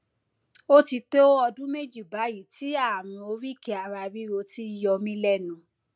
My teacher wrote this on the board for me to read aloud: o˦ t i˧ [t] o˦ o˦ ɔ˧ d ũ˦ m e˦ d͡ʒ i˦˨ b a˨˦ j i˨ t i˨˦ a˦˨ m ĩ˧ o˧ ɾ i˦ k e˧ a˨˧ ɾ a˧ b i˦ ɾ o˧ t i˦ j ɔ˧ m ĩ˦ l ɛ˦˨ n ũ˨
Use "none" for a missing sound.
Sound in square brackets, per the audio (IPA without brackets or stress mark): t